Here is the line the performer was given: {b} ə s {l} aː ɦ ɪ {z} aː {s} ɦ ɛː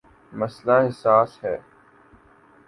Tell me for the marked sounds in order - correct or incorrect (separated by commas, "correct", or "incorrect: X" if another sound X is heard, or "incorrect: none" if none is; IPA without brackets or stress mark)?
incorrect: m, correct, incorrect: s, correct